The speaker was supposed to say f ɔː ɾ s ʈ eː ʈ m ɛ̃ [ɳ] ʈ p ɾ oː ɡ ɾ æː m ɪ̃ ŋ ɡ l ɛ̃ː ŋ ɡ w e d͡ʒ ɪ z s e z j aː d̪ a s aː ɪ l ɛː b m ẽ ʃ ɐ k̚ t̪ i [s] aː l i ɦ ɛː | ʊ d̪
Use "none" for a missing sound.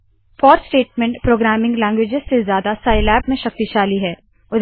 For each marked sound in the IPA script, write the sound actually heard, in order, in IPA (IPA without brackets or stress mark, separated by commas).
ɳ, ʃ